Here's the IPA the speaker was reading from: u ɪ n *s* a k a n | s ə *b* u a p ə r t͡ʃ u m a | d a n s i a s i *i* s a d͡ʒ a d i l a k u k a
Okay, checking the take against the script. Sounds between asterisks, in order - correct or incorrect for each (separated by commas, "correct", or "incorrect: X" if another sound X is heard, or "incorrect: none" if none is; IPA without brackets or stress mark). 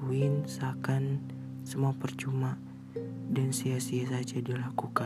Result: correct, incorrect: m, incorrect: a